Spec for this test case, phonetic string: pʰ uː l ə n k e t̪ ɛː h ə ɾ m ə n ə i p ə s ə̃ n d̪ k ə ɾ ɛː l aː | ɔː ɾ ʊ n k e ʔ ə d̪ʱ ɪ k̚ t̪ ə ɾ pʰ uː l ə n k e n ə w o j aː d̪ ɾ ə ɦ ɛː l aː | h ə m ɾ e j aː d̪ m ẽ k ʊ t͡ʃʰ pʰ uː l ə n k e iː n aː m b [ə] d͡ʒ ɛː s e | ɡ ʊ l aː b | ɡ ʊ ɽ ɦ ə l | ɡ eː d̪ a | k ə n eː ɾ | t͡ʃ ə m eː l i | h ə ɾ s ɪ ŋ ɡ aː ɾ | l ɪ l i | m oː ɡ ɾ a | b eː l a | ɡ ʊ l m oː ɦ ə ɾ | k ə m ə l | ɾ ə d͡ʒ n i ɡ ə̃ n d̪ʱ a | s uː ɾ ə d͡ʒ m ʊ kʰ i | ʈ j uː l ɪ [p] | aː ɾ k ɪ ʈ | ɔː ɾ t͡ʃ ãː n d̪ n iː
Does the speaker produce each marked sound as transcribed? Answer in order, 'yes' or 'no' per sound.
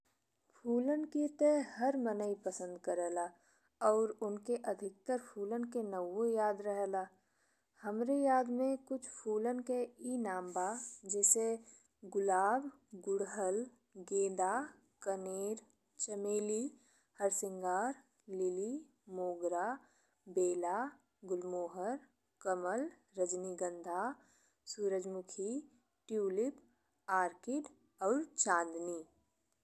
no, yes

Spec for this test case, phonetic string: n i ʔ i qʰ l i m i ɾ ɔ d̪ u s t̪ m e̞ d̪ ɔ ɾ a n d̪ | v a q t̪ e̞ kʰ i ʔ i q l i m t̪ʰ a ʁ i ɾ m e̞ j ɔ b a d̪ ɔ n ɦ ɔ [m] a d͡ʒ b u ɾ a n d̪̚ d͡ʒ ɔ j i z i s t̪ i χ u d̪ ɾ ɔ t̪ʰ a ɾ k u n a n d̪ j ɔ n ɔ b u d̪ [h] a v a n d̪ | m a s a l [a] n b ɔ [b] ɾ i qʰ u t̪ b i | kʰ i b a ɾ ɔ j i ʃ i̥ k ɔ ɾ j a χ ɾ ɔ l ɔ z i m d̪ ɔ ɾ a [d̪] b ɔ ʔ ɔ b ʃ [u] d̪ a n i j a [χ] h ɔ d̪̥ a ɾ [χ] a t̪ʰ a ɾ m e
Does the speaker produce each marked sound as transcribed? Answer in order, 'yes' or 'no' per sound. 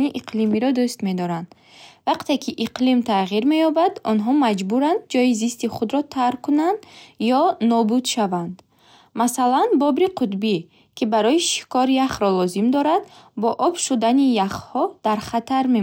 yes, no, yes, yes, yes, yes, yes, yes

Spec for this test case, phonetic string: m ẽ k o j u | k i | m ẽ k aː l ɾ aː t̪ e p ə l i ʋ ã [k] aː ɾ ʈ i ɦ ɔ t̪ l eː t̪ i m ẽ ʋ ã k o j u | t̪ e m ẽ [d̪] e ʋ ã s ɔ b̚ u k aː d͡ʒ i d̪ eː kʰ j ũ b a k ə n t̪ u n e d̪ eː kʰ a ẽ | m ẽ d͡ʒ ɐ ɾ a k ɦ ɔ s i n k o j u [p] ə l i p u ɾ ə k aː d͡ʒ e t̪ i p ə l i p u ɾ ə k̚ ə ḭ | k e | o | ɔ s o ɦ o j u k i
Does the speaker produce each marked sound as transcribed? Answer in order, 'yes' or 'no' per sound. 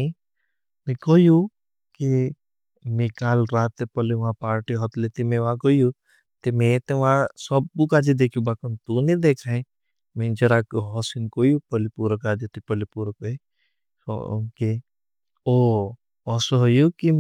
no, no, yes

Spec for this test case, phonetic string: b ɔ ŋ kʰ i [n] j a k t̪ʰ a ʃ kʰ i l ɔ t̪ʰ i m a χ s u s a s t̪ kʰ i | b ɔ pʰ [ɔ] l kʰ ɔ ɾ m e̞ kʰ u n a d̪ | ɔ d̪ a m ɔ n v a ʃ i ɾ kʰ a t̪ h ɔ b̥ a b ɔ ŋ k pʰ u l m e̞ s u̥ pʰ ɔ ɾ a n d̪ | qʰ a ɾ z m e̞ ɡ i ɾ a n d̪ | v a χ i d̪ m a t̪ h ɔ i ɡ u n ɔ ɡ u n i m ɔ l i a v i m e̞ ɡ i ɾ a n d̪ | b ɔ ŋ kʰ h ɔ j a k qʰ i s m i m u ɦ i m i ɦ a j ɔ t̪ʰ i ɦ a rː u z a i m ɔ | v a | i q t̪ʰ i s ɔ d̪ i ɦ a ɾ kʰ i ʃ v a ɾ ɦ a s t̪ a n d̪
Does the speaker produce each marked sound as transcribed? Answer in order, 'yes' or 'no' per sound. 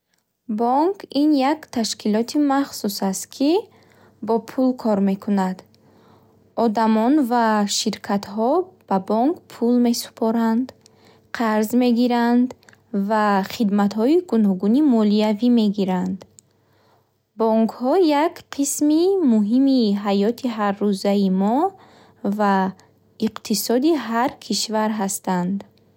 yes, no

